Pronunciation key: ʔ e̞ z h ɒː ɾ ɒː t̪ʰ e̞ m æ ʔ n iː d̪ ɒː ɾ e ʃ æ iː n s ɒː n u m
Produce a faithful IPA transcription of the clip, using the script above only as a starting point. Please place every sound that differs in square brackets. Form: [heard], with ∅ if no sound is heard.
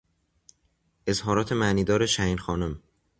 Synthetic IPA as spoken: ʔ e̞ z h ɒː ɾ ɒː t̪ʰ e̞ m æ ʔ n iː d̪ ɒː ɾ e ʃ æ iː n [x] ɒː n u m